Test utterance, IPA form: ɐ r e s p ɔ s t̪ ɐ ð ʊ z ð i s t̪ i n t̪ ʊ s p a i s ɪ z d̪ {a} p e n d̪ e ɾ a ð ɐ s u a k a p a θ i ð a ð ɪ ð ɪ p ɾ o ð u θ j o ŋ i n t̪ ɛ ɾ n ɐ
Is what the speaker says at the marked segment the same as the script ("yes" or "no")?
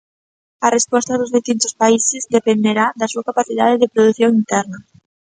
no